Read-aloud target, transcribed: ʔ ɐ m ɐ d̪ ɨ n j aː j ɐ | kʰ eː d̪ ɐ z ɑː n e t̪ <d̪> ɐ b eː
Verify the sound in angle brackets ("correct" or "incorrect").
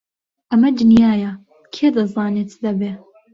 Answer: correct